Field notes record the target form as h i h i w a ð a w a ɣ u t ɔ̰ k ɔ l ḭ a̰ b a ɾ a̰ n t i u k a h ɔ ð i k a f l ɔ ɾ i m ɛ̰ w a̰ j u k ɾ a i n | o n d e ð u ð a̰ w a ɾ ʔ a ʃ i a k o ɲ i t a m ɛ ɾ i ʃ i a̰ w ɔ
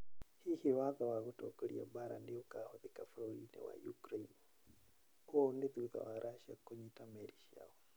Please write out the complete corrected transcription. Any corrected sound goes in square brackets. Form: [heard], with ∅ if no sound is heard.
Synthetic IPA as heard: h i h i w a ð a w a ɣ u t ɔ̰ k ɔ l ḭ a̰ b a ɾ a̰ n [d] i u k a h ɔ ð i k a f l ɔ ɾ i [n] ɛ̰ w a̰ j u k ɾ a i n | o n d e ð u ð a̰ w a ɾ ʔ a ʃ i a k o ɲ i t a m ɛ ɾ i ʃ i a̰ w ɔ